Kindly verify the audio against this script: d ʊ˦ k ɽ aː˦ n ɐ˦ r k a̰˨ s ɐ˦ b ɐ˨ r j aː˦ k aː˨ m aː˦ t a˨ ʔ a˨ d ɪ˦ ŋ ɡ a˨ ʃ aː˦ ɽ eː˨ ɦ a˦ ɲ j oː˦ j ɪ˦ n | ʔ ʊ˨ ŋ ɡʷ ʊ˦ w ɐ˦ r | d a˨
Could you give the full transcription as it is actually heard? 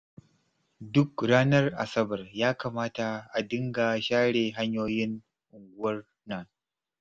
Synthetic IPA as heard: d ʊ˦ k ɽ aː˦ n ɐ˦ r ʔ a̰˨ s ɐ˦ b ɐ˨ r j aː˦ k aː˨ m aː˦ t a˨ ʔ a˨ d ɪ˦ ŋ ɡ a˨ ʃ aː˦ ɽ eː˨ ɦ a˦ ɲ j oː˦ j ɪ˦ n | ʔ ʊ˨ ŋ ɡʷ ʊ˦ w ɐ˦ r | n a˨